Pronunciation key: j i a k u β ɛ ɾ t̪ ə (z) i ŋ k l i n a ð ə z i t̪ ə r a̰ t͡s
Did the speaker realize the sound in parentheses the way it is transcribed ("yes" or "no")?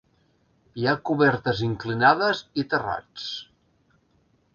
yes